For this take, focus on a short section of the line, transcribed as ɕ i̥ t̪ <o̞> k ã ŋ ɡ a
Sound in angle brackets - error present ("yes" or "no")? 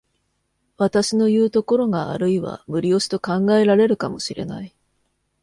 no